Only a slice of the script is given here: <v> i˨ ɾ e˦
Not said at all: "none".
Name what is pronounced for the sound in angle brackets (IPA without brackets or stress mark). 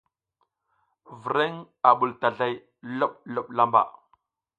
v